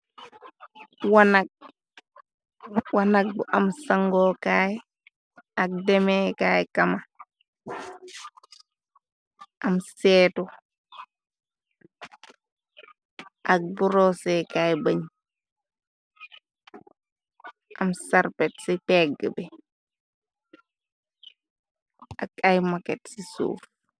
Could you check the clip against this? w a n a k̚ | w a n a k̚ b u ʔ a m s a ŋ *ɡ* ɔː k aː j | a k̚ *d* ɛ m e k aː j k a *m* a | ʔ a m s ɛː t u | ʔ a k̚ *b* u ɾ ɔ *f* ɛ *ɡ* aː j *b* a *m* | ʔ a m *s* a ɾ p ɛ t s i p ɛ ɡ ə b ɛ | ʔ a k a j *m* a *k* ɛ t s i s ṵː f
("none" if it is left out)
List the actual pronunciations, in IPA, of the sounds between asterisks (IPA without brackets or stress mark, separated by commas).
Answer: ɡ, d, m, b, s, k, b, ɲ, s, m, k